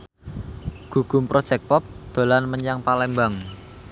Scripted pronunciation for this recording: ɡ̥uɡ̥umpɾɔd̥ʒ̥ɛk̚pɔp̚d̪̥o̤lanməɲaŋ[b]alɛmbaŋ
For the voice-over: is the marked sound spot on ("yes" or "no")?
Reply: no